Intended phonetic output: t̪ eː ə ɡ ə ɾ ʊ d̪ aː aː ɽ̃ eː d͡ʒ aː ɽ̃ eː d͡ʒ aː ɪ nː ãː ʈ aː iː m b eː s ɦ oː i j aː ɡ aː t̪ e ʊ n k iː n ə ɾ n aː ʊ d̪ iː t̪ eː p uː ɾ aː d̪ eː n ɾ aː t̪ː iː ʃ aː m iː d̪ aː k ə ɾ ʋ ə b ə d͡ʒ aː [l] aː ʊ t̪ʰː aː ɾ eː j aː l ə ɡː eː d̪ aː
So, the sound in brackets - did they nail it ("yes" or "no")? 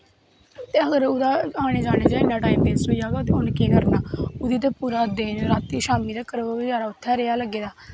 no